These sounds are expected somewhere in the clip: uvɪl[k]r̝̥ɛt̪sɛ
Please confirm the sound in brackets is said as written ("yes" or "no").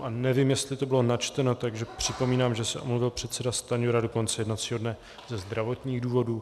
no